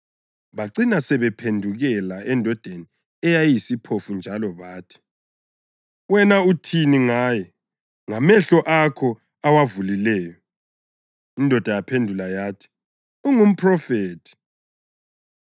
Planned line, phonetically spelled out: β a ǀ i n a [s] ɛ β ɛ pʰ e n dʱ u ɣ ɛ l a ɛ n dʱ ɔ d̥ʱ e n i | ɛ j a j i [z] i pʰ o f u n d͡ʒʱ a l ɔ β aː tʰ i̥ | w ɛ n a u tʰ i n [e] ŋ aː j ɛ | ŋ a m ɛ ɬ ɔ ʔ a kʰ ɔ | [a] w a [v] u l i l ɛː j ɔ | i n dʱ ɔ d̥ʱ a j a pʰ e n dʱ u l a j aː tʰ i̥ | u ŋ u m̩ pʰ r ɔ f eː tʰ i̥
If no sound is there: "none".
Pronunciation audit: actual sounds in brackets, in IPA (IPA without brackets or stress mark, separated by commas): s, s, i, a, v